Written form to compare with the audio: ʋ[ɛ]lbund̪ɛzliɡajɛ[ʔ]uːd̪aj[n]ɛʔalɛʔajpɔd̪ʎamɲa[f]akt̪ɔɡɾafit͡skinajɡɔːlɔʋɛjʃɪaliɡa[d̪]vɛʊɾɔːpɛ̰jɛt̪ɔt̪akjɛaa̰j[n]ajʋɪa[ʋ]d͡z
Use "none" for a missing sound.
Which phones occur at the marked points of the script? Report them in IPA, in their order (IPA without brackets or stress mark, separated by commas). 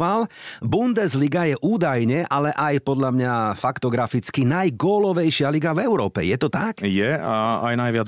a, ʔ, ɲ, f, none, n, none